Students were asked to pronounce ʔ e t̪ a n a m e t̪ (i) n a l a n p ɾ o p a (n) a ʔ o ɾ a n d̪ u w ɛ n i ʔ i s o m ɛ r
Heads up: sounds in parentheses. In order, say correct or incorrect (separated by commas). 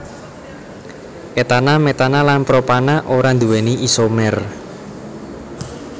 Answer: incorrect, correct